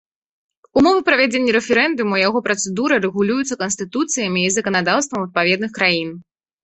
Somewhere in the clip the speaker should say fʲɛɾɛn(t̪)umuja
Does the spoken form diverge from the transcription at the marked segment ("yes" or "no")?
yes